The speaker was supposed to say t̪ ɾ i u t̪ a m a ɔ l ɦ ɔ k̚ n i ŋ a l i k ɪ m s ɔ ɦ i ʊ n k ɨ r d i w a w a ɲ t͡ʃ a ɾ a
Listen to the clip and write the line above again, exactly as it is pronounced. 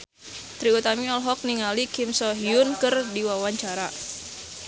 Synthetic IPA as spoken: t̪ ɾ i u t̪ a m i ɔ l ɦ ɔ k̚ n i ŋ a l i k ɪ m s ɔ ɦ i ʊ n k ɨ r d i w a w a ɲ t͡ʃ a ɾ a

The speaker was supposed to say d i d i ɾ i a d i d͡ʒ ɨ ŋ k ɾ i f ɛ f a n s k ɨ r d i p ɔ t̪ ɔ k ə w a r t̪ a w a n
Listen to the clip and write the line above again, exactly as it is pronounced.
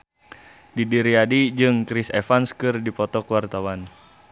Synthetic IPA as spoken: d i d i ɾ i a d i d͡ʒ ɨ ŋ k ɾ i s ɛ f a n s k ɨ r d i p ɔ t̪ ɔ k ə w a r t̪ a w a n

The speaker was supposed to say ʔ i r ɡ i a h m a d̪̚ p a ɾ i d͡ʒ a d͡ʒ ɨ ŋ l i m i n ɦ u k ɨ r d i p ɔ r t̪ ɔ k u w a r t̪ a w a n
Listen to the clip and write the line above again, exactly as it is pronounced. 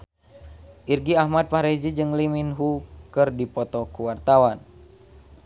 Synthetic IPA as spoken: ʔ i r ɡ i a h m a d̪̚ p a ɾ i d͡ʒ i d͡ʒ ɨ ŋ l i m i n ɦ u k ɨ r d i p ɔ t̪ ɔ k u w a r t̪ a w a n

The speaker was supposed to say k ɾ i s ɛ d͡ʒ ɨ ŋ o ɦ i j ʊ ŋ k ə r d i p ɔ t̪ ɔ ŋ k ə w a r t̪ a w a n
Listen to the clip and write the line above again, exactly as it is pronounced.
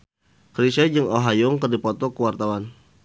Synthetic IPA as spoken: k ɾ i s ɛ d͡ʒ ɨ ŋ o ɦ a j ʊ ŋ k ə r d i p ɔ t̪ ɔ k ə w a r t̪ a w a n

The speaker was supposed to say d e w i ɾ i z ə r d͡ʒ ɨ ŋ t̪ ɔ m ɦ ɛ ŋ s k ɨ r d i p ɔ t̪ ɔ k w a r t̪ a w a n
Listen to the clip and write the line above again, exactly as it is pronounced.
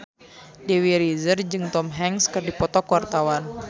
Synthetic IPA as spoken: d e w i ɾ i z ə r d͡ʒ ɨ ŋ t̪ ɔ m ɦ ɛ ŋ s k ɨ r d i p ɔ t̪ ɔ k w a r t̪ a w a n

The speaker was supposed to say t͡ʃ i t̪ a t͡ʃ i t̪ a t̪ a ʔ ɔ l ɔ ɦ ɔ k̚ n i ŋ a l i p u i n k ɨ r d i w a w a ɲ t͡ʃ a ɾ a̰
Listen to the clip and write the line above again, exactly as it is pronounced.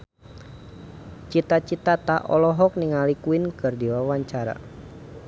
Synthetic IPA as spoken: t͡ʃ i t̪ a t͡ʃ i t̪ a t̪ a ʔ ɔ l ɔ ɦ ɔ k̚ n i ŋ a l i k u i n k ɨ r d i w a w a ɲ t͡ʃ a ɾ a̰

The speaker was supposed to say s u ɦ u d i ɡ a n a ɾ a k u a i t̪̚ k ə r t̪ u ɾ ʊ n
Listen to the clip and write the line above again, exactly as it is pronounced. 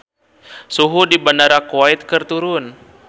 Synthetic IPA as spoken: s u ɦ u d i b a n a ɾ a k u a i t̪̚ k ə r t̪ u ɾ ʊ n

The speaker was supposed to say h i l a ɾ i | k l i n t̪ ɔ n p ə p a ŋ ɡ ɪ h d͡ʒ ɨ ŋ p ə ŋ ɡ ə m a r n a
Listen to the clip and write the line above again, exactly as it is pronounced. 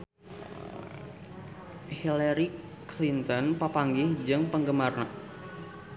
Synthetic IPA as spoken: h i l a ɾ i | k l i n t̪ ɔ n p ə p a ŋ ɡ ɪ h d͡ʒ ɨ ŋ p ə ŋ ɡ ə m a r n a

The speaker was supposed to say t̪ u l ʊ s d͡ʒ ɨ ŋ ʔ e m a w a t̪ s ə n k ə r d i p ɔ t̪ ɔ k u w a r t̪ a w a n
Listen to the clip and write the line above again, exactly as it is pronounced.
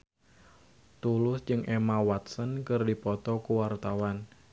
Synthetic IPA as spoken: t̪ u l ʊ s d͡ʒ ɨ ŋ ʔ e m a w a t̪ s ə n k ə r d i p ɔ t̪ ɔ k u w a r t̪ a w a n

